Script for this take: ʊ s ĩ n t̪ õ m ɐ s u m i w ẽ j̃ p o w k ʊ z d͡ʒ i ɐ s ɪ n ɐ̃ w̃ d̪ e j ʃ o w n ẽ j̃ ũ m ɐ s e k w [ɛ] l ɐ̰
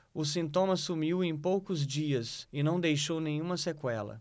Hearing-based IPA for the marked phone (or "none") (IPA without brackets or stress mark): ɛ